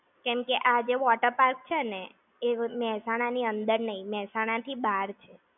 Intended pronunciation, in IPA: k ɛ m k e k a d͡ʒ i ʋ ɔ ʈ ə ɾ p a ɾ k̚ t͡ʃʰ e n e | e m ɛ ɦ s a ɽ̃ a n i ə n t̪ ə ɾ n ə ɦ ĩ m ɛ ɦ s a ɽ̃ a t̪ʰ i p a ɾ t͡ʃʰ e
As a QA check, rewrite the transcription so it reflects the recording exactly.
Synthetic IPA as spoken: k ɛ m k e ʔ a d͡ʒ e ʋ ɔ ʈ ə ɾ p a ɾ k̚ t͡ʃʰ e n e | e m ɛ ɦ s a ɽ̃ a n i ə n d̪ ə ɾ n ə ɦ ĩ m ɛ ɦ s a ɽ̃ a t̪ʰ i b a ɾ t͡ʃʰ e

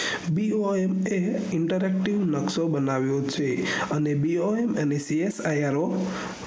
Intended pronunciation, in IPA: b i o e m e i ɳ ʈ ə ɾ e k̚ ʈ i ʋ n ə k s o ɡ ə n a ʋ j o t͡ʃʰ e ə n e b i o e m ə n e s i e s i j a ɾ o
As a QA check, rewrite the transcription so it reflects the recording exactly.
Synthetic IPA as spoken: b i o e m e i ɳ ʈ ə ɾ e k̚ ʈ i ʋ n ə k s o b ə n a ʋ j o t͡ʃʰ e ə n e b i o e m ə n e s i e s a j a ɾ o

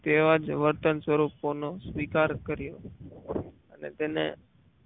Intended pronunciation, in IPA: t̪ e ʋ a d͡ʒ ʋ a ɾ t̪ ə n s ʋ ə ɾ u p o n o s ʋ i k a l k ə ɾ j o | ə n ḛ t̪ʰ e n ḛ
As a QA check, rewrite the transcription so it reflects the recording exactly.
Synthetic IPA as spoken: t̪ e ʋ a d͡ʒ ʋ ə ɾ t̪ ə n s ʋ ə ɾ u p o n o s ʋ i k a ɾ k ə ɾ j o | ə n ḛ t̪ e n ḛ

